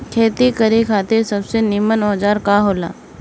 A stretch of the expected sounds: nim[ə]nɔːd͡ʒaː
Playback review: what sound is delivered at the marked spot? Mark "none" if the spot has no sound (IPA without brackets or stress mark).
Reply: ə